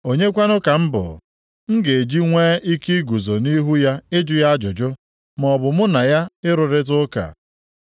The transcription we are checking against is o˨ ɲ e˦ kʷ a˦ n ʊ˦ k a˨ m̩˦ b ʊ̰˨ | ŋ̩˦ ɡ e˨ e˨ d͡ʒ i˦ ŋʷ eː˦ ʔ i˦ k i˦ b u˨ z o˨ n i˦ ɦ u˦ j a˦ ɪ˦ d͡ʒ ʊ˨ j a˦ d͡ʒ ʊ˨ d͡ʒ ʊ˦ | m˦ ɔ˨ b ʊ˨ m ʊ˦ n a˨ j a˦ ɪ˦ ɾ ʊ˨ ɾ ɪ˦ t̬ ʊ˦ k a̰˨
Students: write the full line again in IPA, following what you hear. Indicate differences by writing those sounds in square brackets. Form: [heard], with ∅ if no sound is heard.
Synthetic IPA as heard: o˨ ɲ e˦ kʷ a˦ n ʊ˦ k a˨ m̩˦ b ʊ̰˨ | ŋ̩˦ ɡ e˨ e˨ d͡ʒ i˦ ŋʷ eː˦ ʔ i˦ k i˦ [ɡ] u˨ z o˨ n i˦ ɦ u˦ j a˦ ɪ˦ d͡ʒ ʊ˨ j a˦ d͡ʒ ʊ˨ d͡ʒ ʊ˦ | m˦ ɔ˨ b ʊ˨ m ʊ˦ n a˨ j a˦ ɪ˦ ɾ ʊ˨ ɾ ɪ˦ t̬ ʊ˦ k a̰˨